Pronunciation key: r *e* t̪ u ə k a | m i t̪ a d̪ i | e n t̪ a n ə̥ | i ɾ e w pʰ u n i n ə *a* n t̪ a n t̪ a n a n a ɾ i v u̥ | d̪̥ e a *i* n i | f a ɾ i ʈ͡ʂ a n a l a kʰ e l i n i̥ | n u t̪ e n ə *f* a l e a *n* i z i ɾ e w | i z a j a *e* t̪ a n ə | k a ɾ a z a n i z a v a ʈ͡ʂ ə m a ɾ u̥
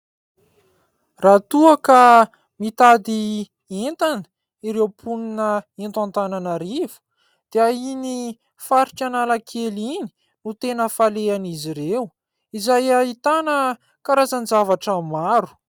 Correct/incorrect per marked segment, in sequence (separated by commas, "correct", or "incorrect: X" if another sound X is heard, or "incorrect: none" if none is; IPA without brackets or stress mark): incorrect: a, incorrect: e, correct, correct, correct, incorrect: i